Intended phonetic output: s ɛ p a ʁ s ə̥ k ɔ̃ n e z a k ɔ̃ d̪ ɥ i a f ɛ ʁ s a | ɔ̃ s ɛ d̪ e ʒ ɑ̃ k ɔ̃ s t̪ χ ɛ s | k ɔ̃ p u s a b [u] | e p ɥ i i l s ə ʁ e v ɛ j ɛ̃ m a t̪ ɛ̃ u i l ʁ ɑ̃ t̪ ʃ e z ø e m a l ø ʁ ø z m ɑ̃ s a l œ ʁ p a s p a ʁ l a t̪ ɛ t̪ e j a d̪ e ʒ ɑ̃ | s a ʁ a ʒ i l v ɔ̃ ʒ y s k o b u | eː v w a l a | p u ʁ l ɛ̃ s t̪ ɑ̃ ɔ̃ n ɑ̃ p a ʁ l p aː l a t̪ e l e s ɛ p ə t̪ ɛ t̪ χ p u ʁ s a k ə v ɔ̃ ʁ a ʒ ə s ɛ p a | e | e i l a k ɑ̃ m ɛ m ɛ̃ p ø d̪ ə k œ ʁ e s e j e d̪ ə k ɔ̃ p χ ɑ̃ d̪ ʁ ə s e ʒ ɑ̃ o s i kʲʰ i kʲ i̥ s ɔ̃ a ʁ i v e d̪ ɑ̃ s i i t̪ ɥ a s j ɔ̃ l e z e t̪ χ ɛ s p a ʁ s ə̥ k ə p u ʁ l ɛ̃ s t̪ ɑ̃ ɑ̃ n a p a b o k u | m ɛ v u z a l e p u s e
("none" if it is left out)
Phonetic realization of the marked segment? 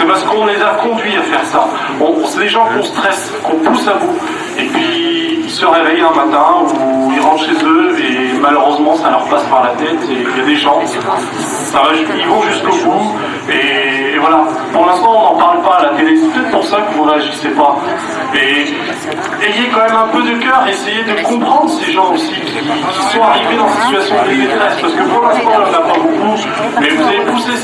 u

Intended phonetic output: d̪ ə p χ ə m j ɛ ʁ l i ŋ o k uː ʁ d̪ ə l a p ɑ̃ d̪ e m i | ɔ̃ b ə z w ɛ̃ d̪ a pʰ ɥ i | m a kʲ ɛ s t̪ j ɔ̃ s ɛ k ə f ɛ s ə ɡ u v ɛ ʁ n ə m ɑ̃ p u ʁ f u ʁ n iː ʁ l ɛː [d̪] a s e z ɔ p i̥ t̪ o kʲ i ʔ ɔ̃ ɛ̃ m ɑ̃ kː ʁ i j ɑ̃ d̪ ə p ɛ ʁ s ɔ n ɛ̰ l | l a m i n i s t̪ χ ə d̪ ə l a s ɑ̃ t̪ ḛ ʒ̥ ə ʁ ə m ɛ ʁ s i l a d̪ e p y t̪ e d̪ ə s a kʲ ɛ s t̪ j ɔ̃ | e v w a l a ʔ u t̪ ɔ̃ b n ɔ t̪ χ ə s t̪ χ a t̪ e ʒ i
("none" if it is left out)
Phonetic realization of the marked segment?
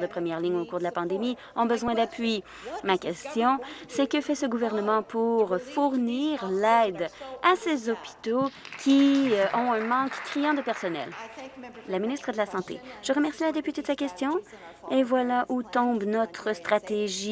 d̪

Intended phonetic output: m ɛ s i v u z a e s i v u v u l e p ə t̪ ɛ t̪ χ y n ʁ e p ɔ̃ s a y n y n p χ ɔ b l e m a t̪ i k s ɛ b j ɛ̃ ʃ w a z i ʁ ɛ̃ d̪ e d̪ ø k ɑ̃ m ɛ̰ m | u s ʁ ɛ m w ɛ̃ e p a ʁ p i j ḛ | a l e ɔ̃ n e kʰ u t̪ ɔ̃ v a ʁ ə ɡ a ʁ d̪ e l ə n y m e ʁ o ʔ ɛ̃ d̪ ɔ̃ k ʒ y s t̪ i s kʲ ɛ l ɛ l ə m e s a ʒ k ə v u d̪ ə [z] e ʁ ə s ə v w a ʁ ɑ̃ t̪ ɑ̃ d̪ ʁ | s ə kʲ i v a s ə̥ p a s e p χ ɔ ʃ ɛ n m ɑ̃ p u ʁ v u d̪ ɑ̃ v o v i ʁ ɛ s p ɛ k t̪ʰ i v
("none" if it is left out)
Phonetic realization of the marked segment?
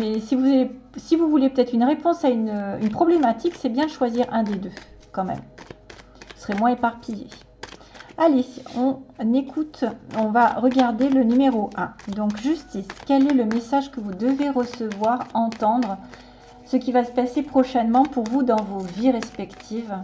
v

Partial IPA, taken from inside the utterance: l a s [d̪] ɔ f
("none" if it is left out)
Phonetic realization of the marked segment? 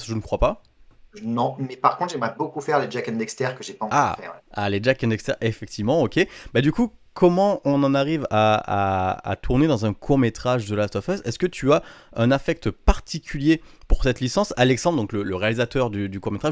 t̪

